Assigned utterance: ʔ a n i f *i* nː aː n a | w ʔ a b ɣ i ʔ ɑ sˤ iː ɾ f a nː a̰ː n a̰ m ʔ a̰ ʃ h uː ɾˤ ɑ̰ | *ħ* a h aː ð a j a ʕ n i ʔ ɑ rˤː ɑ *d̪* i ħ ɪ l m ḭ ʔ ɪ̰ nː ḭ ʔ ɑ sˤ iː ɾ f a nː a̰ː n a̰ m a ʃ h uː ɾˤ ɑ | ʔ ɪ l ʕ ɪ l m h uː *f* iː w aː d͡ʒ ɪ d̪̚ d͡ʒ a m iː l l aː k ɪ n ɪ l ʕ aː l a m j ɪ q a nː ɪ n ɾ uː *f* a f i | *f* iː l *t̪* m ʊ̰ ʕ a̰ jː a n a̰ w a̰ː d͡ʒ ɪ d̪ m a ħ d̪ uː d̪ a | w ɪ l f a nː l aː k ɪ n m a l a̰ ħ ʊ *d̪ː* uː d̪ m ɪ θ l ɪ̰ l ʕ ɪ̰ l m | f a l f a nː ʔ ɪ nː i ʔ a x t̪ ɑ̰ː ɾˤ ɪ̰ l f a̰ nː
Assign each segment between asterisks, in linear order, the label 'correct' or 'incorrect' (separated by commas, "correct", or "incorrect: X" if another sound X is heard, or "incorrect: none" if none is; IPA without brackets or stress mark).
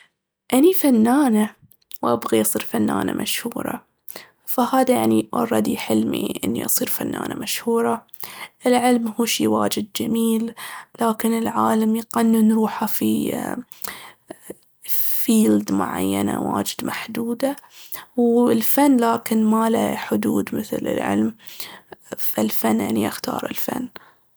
incorrect: a, incorrect: f, correct, incorrect: ʃ, incorrect: ħ, correct, incorrect: d̪, incorrect: d̪